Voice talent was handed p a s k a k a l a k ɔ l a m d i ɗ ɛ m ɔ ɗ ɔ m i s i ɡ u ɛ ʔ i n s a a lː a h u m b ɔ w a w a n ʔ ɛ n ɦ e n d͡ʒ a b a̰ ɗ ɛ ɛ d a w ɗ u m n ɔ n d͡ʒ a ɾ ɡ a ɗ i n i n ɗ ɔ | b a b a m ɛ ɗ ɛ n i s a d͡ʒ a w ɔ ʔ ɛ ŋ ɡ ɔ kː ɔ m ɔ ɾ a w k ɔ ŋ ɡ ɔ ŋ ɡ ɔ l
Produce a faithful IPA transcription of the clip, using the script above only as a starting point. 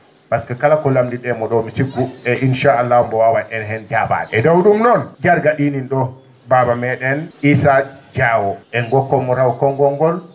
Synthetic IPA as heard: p a s k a k a l a k ɔ l a m d i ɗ ɛ m ɔ ɗ ɔ m i s i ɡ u ɛ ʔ i n ʃ a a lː a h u m b ɔ w a w a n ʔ ɛ n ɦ ɛ n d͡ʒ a b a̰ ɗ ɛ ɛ d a w ɗ u m n ɔ n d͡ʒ a ɾ ɡ a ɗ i n i n ɗ ɔ | b a b a m ɛ ɗ ɛ n i s a d͡ʒ a w ɔ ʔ ɛ ŋ ɡ ɔ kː ɔ m ɔ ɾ a w k ɔ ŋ ɡ ɔ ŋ ɡ ɔ l